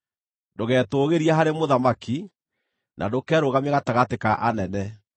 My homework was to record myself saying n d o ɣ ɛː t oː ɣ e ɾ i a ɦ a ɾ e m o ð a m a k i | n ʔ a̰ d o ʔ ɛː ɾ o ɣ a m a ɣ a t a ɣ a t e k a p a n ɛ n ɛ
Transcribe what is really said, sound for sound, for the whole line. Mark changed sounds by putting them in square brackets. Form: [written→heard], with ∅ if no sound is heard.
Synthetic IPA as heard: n d o ɣ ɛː t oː ɣ e ɾ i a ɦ a ɾ e m o ð a m a k i | n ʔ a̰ d o [ʔ→k] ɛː ɾ o ɣ a m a ɣ a t a ɣ a t e k a [p→ʔ] a n ɛ n ɛ